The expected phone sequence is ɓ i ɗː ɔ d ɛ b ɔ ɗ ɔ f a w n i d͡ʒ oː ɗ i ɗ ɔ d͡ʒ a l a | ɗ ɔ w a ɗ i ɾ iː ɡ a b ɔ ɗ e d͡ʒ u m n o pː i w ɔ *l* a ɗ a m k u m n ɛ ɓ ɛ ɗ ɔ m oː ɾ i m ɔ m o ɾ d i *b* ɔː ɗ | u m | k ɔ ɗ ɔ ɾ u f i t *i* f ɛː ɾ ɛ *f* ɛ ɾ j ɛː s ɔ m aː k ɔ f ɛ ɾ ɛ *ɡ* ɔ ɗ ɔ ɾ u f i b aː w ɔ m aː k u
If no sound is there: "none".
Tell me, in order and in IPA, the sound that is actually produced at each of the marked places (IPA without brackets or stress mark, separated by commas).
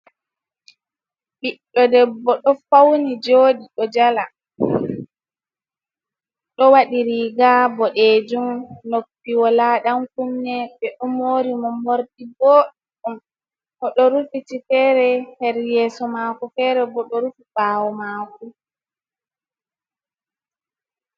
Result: l, b, i, h, b